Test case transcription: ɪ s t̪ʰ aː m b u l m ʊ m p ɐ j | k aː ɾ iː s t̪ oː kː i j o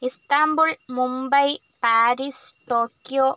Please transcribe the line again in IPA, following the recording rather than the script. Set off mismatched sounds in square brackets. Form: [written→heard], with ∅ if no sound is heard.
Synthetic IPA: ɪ s [t̪ʰ→t̪] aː m b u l m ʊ m [p→b] ɐ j | [k→p] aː ɾ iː s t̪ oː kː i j o

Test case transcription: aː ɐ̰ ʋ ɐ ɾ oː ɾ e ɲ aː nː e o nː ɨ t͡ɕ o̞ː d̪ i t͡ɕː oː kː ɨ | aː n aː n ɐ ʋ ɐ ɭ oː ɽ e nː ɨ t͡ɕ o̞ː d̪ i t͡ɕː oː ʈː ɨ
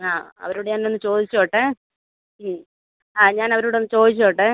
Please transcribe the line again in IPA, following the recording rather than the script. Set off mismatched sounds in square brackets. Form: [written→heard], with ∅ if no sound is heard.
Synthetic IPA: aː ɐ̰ ʋ ɐ ɾ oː [ɾ→ɽ] e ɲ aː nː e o nː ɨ t͡ɕ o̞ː d̪ i t͡ɕː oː [kː→ʈː] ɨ | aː [n→ɲ] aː n ɐ ʋ ɐ [ɭ→ɾ] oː ɽ e nː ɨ t͡ɕ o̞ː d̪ i t͡ɕː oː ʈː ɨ

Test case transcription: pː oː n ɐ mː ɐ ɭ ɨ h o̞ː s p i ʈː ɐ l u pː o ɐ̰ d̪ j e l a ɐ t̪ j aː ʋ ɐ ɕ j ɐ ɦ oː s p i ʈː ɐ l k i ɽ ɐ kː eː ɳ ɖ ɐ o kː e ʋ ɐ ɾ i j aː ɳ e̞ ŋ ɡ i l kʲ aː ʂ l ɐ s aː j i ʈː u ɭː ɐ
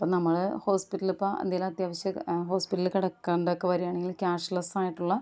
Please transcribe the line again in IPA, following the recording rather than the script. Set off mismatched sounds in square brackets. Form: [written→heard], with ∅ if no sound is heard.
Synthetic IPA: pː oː n ɐ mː ɐ ɭ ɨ h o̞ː s p i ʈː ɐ l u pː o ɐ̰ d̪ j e l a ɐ t̪ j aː ʋ ɐ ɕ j ɐ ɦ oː s p i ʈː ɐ l k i ɽ ɐ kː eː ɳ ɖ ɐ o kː e ʋ ɐ ɾ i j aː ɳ e̞ ŋ ɡ i l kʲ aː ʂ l ɐ s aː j i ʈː u ɭː ɐ

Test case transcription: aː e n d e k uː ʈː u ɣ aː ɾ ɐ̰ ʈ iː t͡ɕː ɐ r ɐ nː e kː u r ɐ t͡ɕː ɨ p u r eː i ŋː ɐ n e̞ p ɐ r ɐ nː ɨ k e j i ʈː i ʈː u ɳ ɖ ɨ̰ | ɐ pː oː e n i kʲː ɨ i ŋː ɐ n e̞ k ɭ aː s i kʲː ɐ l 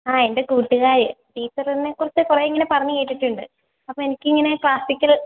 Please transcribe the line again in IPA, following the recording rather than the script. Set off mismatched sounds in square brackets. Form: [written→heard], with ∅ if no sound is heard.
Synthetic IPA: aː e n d e k uː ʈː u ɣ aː ɾ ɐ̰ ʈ iː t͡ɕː ɐ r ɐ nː e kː u r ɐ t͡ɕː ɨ [p→k] u r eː i ŋː ɐ n e̞ p ɐ r ɐ [nː→ɲː] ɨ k e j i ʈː i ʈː u ɳ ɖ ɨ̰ | ɐ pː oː e n i kʲː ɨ i ŋː ɐ n e̞ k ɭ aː s i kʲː ɐ l

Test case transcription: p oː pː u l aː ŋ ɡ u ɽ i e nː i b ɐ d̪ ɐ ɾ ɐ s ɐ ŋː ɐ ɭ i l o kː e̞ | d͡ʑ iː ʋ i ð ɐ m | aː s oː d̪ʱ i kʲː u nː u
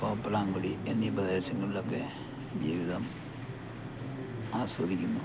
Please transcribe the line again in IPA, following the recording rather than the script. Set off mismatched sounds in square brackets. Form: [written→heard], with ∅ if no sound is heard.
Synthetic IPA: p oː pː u l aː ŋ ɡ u ɽ i e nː i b ɐ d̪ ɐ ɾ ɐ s ɐ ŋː ɐ ɭ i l o kː e̞ | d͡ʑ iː ʋ i ð ɐ m | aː s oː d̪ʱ i kʲː u nː u

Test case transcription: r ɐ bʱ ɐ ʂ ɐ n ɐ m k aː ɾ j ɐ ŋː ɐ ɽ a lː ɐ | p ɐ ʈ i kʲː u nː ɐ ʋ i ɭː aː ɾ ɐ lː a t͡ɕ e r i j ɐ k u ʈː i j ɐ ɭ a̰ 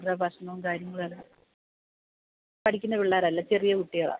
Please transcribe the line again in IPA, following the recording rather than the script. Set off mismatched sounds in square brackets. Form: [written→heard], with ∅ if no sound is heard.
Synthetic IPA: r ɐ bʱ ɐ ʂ ɐ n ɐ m k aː ɾ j ɐ ŋː ɐ [ɽ→ɭ] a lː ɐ | p ɐ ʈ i kʲː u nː ɐ ʋ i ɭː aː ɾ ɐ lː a t͡ɕ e r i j ɐ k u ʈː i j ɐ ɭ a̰

